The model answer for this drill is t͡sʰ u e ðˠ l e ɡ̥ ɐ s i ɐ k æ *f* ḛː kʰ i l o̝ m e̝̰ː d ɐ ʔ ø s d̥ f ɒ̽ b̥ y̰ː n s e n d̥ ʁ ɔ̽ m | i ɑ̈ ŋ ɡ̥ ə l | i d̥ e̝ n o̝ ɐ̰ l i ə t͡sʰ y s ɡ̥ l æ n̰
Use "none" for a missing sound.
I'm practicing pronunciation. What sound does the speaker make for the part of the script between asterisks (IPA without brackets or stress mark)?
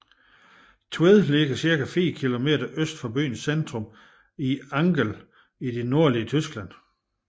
f